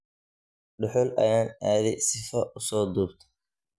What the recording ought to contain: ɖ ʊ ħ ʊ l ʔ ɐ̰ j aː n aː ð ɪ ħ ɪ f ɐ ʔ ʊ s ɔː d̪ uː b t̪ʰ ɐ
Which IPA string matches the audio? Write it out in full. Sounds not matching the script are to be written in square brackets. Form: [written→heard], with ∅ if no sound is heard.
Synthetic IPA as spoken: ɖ ʊ ħ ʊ l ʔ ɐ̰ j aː n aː ð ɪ [ħ→s] ɪ f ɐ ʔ ʊ s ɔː d̪ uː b t̪ʰ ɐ